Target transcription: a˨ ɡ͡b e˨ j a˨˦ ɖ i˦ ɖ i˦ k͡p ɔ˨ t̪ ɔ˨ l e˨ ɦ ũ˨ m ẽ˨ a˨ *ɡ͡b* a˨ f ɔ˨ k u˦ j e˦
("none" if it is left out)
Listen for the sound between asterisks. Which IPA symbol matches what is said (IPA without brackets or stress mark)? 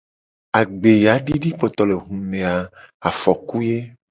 none